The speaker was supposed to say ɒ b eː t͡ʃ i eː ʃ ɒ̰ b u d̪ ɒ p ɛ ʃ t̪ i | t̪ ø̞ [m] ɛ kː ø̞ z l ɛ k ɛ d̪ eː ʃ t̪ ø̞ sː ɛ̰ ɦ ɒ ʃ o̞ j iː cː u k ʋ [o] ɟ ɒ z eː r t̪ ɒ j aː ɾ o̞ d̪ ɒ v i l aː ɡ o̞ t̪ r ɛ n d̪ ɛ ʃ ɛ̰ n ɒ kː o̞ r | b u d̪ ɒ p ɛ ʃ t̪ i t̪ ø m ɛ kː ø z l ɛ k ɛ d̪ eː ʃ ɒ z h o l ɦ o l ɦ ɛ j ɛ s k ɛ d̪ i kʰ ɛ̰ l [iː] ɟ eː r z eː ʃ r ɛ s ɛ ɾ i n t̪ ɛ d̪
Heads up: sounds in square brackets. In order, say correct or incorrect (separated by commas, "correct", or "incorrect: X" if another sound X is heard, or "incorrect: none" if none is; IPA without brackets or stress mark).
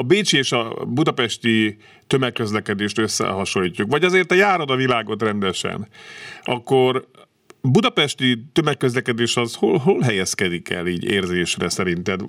correct, incorrect: ɒ, correct